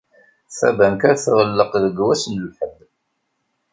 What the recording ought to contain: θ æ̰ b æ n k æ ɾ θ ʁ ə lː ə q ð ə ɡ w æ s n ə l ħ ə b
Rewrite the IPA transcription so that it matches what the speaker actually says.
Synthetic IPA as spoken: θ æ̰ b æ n k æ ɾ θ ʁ ə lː ə q ð ə ɡ w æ s n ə l ħ ə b